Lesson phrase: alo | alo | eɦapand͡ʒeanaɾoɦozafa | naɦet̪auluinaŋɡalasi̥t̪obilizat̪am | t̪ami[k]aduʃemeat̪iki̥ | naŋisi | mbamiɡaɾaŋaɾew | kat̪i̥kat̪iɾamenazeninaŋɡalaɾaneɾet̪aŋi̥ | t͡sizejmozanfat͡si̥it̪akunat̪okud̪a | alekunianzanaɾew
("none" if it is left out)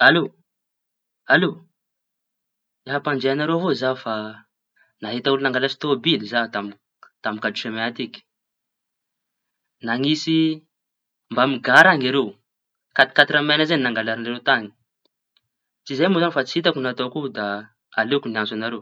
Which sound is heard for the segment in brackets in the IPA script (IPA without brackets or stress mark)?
k